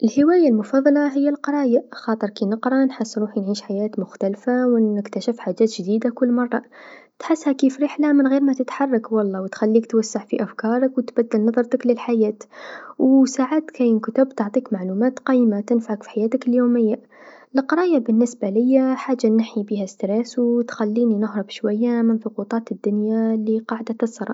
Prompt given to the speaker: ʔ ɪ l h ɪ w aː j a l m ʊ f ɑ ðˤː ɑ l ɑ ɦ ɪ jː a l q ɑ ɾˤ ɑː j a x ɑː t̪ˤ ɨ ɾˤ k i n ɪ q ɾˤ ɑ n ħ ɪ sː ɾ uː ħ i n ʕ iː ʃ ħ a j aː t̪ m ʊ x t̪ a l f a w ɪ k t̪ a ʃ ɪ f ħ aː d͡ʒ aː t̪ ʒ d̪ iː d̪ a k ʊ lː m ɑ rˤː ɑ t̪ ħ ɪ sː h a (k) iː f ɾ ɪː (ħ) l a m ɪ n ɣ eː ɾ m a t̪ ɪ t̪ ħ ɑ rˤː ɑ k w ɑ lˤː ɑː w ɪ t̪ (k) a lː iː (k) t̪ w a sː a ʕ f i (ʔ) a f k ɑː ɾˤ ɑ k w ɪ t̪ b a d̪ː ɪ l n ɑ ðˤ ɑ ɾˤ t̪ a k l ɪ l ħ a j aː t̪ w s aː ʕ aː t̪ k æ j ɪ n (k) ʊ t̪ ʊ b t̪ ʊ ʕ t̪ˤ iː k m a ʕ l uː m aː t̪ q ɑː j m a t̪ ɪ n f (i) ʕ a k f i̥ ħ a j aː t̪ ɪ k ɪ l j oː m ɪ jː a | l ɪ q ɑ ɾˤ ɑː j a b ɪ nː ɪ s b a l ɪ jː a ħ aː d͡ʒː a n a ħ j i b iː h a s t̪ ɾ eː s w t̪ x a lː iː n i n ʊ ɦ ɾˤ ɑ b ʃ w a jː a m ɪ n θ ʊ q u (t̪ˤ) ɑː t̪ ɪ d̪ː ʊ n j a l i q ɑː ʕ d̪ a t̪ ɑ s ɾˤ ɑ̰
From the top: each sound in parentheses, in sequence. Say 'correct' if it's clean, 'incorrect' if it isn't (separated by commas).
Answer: correct, correct, incorrect, correct, correct, correct, incorrect, correct